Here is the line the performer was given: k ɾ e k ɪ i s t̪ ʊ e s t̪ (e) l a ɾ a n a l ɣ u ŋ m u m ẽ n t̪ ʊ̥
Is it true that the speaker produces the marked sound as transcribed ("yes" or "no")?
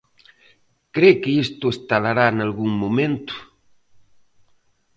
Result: no